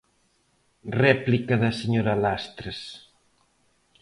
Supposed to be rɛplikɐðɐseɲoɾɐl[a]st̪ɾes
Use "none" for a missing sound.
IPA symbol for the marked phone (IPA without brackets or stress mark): a